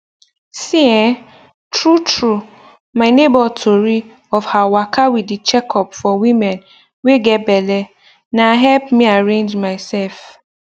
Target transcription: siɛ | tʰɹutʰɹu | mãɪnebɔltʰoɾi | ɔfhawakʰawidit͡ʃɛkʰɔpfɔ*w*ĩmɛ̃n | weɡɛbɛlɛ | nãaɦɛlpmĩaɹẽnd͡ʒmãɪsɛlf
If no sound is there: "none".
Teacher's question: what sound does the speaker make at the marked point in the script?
w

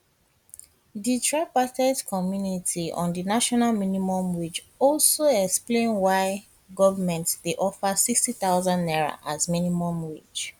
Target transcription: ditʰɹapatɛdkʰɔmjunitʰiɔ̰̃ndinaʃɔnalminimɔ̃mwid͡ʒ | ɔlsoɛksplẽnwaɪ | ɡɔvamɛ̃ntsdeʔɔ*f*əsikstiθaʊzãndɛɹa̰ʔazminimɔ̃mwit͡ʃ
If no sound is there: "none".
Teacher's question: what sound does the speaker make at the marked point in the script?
f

